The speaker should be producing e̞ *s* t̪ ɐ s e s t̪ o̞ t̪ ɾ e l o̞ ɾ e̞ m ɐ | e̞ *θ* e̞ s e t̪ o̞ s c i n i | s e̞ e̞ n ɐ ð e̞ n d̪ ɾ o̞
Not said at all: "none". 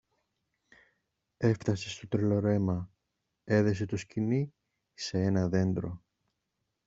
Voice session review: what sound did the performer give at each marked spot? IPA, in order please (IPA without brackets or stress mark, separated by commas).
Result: f, ð